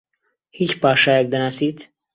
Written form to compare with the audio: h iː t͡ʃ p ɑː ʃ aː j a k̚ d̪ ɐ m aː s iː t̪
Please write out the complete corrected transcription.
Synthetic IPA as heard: h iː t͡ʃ p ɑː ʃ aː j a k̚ d̪ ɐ n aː s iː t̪

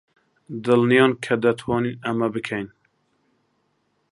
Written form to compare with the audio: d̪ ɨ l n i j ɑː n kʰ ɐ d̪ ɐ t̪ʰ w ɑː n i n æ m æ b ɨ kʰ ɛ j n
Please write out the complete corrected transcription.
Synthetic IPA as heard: d̪ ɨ l n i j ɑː n kʰ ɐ d̪ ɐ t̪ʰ w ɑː n i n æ m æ b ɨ kʰ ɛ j n

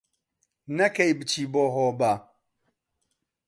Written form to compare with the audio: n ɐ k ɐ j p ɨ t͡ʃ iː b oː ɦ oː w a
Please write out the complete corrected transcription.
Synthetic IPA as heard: n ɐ k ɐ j b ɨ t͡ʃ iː b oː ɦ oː b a

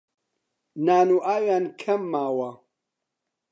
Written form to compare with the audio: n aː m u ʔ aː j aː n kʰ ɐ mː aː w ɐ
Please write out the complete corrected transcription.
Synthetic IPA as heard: n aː n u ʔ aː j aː n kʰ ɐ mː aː w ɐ

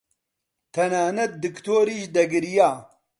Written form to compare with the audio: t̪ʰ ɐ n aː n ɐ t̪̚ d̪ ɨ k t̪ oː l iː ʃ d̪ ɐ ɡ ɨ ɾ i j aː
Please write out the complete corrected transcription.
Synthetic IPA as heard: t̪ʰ ɐ n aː n ɐ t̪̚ d̪ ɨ k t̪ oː ɾ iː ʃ d̪ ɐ ɡ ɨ ɾ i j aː

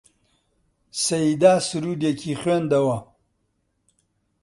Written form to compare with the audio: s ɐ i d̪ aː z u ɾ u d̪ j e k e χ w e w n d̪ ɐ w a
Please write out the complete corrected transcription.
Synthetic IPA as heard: s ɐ i d̪ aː s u ɾ u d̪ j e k i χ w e n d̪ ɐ w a

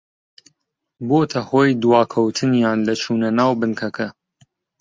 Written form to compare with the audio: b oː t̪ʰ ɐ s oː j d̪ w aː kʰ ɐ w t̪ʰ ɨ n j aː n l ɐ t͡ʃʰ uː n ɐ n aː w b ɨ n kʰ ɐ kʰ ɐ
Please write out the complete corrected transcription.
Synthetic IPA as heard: b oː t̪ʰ ɐ h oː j d̪ w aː kʰ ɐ w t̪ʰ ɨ n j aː n l ɐ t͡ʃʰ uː n ɐ n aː w b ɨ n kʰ ɐ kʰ ɐ

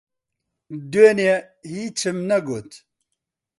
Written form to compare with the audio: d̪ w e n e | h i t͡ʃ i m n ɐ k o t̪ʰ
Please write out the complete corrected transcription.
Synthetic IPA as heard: d̪ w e n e | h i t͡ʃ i m n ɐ ɡ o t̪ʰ

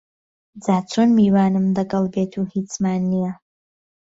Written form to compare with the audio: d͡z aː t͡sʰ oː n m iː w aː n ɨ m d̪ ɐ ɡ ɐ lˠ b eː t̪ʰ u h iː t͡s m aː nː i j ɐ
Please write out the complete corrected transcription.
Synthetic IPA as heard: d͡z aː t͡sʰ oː n m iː w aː n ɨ m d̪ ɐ ɡ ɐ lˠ b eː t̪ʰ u h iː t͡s m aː nː i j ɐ

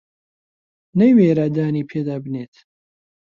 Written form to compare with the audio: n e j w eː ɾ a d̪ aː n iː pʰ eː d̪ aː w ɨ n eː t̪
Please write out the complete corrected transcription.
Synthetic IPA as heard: n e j w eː ɾ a d̪ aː n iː pʰ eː d̪ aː b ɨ n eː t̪

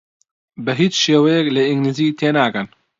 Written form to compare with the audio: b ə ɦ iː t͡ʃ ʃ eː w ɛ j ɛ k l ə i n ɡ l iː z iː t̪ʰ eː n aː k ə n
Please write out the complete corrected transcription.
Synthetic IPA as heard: b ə ɦ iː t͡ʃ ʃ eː w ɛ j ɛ k l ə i ŋ ɡ l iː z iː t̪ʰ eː n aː k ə n

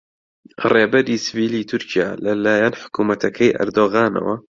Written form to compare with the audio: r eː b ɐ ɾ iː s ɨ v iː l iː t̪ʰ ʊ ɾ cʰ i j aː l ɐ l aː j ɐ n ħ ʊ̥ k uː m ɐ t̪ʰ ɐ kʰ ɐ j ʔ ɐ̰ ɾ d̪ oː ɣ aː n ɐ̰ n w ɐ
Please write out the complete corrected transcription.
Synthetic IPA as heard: r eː b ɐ ɾ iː s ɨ v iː l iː t̪ʰ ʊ ɾ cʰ i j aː l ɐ l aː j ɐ n ħ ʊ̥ k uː m ɐ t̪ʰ ɐ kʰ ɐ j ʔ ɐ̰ ɾ d̪ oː ɣ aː n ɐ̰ w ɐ

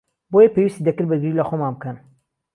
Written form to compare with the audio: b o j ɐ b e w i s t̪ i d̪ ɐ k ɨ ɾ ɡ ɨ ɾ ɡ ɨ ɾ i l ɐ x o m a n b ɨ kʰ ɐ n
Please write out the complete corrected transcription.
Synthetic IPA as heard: b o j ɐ p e w i s t̪ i d̪ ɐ k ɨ ɾ b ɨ ɾ ɡ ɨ ɾ i l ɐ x o m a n b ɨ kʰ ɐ n

